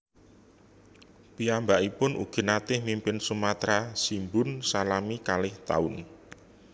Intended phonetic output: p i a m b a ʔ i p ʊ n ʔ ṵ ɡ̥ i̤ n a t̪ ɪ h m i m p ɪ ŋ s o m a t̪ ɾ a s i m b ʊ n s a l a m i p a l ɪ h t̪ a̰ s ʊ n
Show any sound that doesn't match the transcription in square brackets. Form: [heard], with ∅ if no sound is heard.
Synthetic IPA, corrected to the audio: p i a m b a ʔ i p ʊ n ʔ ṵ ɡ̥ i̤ n a t̪ ɪ h m i m p ɪ [n] s [u] m a t̪ ɾ a s i m b ʊ n s a l a m i [k] a l ɪ h t̪ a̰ [∅] ʊ n